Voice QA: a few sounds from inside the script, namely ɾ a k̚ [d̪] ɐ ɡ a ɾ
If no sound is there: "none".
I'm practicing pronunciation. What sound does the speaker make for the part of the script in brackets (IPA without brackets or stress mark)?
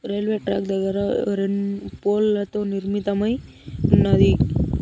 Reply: d̪